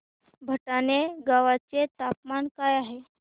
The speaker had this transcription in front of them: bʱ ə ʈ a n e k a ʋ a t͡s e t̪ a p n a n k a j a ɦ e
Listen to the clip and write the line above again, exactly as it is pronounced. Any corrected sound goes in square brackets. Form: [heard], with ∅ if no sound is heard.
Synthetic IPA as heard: bʱ ə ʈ a n e [ɡ] a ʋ a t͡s e t̪ a p [m] a n k a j a ɦ e